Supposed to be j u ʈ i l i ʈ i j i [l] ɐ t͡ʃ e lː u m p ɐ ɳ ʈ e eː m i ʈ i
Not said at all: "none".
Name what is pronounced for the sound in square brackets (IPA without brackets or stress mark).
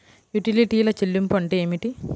l